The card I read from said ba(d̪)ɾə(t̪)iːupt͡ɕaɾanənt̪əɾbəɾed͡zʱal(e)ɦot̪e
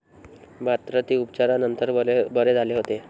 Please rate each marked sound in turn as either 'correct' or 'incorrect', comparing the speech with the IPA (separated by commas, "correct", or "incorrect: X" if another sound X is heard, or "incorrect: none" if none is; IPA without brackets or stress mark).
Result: incorrect: t̪, correct, correct